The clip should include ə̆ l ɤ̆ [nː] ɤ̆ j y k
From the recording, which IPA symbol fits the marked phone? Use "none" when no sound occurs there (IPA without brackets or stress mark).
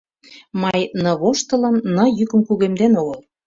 nː